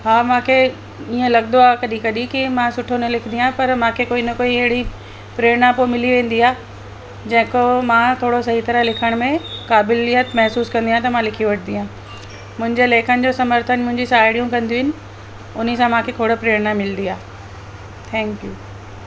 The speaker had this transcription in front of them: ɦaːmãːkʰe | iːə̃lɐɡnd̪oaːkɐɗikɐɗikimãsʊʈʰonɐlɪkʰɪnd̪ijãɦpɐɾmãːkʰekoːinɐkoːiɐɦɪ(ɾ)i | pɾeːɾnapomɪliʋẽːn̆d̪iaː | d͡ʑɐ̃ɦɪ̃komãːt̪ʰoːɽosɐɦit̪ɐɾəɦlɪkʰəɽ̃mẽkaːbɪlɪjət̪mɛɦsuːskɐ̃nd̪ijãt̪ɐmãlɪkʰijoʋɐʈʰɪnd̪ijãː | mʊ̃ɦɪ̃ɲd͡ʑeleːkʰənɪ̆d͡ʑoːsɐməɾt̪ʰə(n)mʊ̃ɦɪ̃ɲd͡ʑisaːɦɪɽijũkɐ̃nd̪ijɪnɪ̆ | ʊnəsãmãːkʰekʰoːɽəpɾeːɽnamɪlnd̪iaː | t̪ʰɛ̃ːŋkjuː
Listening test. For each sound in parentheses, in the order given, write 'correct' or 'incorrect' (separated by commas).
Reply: incorrect, correct